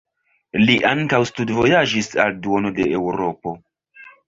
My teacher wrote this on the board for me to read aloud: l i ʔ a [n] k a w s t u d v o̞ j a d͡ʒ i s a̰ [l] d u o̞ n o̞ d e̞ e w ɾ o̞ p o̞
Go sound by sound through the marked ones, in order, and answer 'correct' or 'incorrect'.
incorrect: ŋ, correct

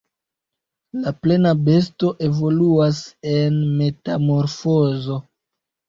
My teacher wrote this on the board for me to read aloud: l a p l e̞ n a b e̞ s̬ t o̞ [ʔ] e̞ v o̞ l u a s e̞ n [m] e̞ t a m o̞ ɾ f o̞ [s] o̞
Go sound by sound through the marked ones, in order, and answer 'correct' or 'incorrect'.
correct, correct, incorrect: z

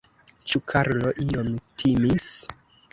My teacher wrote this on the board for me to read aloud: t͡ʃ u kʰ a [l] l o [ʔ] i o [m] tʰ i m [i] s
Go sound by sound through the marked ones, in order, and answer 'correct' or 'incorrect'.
incorrect: ɾ, correct, correct, correct

